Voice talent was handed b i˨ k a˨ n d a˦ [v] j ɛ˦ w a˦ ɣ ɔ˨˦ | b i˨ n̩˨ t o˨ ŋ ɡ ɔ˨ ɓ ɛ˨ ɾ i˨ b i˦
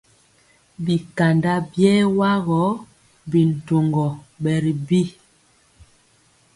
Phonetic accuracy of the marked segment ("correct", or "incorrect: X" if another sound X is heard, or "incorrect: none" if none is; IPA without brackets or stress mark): incorrect: b